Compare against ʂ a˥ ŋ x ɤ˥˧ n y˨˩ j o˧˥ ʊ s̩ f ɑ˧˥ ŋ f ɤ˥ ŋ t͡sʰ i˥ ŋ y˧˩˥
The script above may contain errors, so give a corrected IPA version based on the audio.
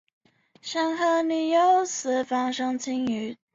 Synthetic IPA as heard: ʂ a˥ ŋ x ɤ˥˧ n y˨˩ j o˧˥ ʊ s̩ f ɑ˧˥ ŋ ʂ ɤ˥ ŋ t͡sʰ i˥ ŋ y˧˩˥